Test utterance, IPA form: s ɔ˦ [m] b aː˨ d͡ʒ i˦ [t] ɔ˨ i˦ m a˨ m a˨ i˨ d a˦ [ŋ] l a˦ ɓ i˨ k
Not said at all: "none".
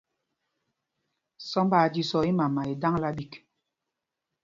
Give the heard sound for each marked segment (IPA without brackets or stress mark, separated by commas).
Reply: m, s, ŋ